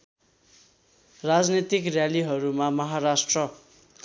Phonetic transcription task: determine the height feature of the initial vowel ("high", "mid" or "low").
low